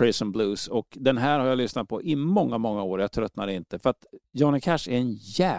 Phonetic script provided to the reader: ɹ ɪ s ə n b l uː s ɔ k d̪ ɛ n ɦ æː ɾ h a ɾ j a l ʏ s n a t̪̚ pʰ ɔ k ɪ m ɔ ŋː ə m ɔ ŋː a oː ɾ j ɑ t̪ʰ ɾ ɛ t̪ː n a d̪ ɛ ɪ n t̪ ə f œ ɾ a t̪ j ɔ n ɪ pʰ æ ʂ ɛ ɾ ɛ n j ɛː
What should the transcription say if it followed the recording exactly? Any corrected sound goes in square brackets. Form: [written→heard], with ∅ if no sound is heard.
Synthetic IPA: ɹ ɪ s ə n b l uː s ɔ k d̪ ɛ n ɦ æː ɾ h a ɾ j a l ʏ s n a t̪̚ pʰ ɔ [k→ʔ] ɪ m ɔ ŋː [ə→a] m ɔ ŋː a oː ɾ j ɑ t̪ʰ ɾ [ɛ→œ] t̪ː n a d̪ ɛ ɪ n t̪ ə f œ ɾ a t̪ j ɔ n ɪ [pʰ→kʰ] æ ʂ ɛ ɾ ɛ n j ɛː